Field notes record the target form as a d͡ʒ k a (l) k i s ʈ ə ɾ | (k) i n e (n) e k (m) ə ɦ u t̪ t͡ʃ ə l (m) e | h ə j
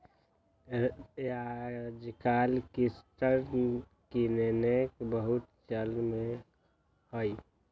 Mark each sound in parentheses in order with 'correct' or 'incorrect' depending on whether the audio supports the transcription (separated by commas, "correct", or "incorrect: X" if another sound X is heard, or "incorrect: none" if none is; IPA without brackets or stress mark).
correct, correct, correct, incorrect: b, correct